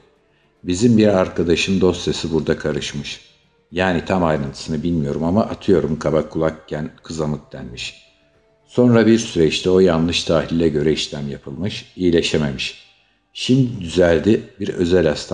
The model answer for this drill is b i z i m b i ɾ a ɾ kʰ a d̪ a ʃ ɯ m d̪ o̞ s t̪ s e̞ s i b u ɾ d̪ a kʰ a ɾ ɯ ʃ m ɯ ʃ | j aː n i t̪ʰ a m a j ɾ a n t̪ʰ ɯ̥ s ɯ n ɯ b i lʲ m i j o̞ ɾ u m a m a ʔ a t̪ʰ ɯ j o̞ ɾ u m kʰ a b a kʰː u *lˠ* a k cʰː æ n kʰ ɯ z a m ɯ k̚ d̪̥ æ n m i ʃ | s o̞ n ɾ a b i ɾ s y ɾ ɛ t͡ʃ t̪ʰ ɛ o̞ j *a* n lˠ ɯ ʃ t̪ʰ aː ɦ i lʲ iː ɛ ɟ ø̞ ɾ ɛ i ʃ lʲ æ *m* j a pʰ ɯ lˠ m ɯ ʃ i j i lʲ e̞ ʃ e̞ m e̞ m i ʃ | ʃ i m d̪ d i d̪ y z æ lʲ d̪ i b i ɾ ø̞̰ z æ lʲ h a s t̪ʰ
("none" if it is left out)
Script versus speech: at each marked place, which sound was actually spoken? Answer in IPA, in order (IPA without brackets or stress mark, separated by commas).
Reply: lˠ, a, m